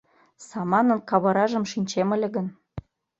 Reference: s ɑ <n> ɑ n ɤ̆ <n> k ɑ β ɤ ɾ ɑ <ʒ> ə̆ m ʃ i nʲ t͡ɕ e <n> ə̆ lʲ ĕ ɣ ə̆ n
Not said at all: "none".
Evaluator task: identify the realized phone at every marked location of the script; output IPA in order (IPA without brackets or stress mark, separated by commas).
m, n, ʒ, m